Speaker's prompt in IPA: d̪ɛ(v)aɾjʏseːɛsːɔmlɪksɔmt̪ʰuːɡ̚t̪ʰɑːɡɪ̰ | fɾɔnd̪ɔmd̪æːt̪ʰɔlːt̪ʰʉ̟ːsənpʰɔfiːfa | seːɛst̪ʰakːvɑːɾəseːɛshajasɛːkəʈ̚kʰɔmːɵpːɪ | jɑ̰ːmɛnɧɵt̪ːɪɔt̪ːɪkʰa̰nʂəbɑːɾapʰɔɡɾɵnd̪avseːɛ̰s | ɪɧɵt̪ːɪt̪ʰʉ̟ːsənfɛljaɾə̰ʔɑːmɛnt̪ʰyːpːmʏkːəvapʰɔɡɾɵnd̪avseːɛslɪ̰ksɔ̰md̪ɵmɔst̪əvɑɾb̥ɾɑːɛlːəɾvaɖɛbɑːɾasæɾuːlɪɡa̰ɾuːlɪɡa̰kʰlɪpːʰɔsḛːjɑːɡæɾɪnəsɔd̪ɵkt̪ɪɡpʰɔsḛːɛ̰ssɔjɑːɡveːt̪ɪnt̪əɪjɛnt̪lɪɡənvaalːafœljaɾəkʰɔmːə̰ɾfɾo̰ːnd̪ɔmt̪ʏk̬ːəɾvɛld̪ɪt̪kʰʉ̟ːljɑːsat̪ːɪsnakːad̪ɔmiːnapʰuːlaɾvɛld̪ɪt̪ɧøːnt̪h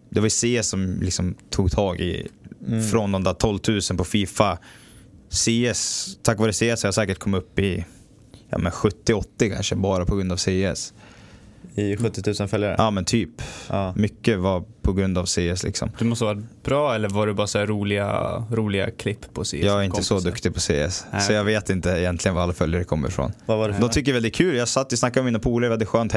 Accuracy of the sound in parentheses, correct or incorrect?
correct